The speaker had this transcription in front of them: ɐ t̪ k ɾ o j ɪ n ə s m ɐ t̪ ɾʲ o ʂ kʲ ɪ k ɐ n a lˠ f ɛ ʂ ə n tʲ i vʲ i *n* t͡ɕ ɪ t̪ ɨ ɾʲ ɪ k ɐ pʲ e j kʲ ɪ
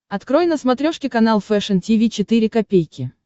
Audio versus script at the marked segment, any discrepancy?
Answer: yes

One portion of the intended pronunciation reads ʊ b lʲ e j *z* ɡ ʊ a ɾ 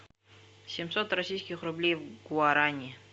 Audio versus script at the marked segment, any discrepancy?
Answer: yes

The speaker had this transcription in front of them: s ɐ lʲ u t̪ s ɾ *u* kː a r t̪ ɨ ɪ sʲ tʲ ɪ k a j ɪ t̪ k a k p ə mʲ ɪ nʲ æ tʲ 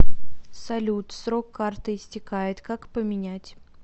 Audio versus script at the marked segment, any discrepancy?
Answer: yes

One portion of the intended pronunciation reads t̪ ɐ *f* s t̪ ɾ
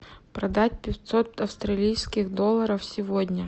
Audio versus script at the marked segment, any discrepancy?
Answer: no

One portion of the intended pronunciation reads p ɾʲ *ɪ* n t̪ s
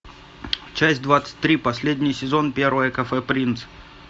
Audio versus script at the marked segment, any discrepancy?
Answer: yes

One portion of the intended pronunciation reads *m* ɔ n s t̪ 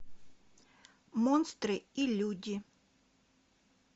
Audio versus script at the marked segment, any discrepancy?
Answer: no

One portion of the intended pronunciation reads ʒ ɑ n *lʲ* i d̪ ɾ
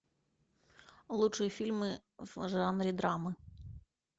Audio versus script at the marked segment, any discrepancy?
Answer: yes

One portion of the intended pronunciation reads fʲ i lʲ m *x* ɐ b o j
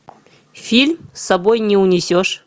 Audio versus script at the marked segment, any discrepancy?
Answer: yes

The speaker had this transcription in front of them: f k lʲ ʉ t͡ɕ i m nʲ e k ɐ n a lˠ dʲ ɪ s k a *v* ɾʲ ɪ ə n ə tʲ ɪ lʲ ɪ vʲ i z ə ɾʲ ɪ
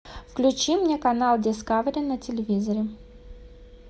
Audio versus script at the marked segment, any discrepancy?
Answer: no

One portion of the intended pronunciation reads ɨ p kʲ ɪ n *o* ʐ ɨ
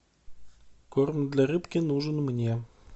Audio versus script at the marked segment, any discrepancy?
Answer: yes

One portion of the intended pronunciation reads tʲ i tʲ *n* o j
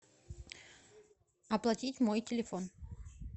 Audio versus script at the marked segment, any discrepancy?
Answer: yes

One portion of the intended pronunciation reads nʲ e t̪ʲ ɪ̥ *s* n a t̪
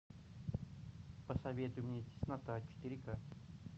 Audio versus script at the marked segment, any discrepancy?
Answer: no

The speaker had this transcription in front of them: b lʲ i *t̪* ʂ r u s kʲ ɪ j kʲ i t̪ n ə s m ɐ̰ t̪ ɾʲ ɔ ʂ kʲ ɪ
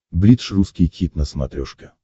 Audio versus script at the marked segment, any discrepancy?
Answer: no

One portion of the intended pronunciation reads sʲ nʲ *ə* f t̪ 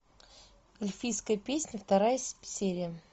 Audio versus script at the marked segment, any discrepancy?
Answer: no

